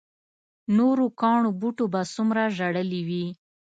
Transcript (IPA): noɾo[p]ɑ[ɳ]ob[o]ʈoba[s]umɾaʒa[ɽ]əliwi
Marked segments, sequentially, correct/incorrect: incorrect, correct, incorrect, correct, correct

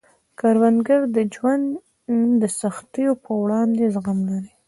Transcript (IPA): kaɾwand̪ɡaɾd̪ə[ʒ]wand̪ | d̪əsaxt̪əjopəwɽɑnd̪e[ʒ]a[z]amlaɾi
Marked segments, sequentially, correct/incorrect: incorrect, incorrect, incorrect

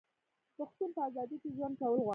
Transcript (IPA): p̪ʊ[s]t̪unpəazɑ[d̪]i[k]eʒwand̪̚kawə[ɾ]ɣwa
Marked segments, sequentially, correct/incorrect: incorrect, correct, correct, incorrect

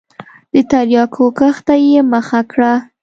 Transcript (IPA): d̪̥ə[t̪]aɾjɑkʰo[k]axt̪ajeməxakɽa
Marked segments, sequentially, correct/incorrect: correct, correct

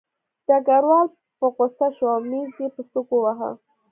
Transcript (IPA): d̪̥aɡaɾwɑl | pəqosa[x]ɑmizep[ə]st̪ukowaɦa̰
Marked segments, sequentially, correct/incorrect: incorrect, correct

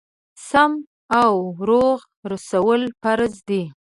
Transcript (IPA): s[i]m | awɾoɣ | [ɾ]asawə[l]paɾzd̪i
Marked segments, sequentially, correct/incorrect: incorrect, correct, correct

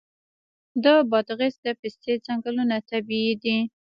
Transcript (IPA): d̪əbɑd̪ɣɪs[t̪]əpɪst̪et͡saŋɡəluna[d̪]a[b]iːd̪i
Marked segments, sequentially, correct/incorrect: incorrect, incorrect, correct

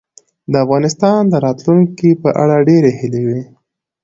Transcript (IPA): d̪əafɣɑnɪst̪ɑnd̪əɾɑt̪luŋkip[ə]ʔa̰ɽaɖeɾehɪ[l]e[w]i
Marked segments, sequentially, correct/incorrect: correct, correct, correct

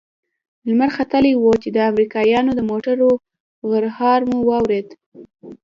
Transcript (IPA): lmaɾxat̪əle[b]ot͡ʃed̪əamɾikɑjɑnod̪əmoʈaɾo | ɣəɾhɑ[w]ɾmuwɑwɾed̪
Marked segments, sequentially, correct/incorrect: incorrect, incorrect

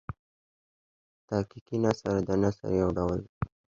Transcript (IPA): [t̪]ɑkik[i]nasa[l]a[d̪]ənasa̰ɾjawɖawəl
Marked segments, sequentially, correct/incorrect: correct, correct, incorrect, correct

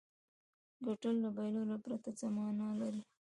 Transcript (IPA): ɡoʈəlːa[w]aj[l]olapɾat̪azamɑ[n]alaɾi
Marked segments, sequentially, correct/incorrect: incorrect, correct, correct

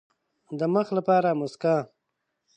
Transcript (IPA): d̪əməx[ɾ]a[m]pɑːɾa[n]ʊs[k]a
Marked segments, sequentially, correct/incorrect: incorrect, incorrect, incorrect, correct

